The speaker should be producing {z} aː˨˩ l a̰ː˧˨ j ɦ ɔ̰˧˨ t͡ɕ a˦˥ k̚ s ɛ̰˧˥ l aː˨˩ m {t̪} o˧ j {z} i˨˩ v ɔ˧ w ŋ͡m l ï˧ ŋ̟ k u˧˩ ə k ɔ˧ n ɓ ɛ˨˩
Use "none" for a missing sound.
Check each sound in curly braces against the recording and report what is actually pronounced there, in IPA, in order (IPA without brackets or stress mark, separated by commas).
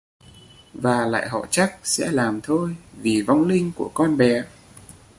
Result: v, t̪ʰ, v